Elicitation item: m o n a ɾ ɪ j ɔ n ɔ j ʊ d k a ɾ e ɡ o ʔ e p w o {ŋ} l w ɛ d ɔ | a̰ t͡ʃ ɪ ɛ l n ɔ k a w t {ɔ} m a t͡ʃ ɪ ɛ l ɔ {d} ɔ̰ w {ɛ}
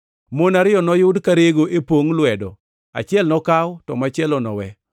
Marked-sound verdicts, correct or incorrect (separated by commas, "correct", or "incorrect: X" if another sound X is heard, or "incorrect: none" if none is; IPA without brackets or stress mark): correct, correct, incorrect: n, correct